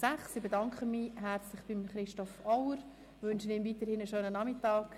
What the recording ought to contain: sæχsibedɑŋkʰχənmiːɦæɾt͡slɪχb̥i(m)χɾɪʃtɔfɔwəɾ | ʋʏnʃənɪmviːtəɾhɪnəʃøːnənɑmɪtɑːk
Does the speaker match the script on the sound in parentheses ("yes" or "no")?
yes